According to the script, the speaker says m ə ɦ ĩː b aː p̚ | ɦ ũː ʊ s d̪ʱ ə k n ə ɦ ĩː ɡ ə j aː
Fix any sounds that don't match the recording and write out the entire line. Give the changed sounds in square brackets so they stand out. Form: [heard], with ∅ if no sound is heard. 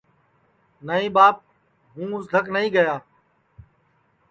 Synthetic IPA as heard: [n] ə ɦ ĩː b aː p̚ | ɦ ũː ʊ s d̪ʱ ə k n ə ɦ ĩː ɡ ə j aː